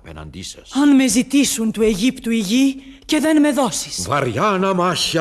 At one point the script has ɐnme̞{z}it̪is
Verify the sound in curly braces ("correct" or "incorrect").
correct